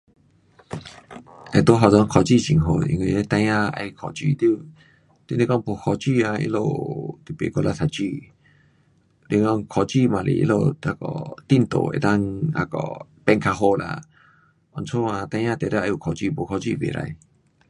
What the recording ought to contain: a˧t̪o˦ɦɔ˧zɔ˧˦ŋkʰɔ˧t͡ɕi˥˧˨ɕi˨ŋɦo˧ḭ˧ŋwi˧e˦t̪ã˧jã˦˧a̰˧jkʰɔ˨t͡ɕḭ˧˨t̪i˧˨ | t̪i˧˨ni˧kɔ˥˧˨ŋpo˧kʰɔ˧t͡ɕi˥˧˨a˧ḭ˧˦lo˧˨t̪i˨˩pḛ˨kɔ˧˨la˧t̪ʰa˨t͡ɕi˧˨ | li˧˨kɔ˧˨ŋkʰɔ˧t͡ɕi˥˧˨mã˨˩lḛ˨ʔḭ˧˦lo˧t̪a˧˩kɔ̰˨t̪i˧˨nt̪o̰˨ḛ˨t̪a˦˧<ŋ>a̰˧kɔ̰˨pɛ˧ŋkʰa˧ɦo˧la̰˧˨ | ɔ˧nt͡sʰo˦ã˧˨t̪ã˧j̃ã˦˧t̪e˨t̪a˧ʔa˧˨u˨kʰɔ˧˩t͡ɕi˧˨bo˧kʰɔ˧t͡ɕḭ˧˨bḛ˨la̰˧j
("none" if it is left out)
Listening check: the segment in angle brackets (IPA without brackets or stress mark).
ŋ